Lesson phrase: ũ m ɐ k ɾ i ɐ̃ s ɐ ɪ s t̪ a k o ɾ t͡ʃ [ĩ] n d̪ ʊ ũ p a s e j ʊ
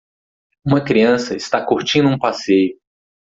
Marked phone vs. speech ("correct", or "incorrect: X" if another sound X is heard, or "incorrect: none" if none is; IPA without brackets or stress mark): correct